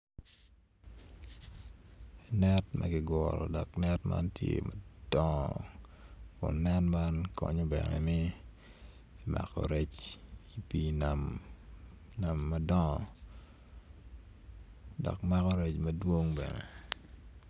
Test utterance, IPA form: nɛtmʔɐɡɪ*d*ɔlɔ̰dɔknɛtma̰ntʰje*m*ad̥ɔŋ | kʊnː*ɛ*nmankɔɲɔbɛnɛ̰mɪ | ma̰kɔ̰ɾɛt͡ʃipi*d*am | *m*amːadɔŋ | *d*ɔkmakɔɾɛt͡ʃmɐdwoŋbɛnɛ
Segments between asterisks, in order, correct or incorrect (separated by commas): incorrect, correct, correct, incorrect, incorrect, correct